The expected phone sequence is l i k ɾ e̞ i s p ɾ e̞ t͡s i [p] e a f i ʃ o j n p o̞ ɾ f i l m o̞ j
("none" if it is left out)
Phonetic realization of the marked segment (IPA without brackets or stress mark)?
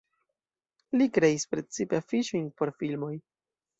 p